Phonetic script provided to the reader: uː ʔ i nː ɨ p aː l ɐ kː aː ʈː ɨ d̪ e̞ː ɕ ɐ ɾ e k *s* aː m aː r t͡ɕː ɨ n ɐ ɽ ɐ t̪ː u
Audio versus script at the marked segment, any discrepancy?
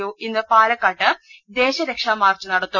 yes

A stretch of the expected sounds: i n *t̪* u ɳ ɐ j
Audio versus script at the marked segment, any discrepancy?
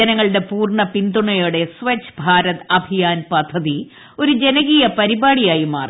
yes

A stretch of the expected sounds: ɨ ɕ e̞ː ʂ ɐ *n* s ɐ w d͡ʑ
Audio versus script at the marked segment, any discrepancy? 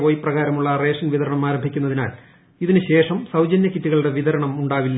yes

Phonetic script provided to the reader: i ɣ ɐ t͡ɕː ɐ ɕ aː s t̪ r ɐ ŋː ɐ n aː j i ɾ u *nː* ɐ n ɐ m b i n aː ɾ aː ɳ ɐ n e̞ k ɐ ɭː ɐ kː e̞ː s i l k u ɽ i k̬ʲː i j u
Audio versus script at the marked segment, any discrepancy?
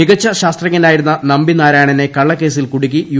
no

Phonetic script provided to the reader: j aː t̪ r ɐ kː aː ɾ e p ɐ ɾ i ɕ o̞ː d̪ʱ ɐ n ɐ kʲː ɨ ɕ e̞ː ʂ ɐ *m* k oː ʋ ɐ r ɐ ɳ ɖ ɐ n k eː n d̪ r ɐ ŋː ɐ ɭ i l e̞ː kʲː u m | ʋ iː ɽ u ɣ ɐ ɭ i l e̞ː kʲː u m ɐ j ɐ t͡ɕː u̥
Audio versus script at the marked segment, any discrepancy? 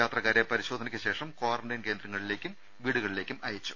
no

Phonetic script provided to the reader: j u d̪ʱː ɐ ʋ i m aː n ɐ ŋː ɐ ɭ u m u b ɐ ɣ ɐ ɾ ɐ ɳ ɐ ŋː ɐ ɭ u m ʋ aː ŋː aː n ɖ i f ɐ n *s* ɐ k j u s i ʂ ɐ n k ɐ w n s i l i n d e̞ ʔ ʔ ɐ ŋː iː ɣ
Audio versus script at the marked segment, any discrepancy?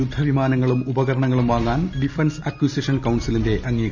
no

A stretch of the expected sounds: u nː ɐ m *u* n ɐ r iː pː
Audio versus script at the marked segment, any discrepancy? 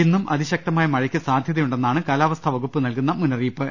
no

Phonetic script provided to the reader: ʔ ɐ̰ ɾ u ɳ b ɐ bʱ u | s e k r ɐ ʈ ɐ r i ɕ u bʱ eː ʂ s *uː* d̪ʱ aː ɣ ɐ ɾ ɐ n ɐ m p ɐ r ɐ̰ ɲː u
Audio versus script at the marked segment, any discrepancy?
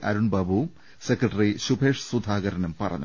yes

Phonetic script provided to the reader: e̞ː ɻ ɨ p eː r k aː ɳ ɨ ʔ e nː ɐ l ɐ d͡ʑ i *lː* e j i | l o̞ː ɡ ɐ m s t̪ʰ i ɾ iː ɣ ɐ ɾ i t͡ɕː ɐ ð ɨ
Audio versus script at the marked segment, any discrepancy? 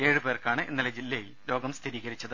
no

